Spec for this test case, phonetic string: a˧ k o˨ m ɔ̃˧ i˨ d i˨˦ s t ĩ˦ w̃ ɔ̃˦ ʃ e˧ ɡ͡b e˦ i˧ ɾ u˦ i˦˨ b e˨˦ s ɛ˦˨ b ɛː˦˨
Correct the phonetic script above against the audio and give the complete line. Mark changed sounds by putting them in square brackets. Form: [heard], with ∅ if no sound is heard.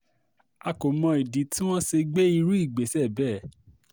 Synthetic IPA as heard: a˧ k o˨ m ɔ̃˧ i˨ d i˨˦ [∅] t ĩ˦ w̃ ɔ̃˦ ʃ e˧ ɡ͡b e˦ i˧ ɾ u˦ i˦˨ [ɡ͡b] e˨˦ s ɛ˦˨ b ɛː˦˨